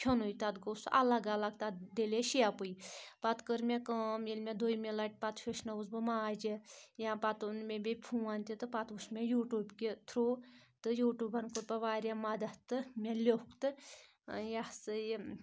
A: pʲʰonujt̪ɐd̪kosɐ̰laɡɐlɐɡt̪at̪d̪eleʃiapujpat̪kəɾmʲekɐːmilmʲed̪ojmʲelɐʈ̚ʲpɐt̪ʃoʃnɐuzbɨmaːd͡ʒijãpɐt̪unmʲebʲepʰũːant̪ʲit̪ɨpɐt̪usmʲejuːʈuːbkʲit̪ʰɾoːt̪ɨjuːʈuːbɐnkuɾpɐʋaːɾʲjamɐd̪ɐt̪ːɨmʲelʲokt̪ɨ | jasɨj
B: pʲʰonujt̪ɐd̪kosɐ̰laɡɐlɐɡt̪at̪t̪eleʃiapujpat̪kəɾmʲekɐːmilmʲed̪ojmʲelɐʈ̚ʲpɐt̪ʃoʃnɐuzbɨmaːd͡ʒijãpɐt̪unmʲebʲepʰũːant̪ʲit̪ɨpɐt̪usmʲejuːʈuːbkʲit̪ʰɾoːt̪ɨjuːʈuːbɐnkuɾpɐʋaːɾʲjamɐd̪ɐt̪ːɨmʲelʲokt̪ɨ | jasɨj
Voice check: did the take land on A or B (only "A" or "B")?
A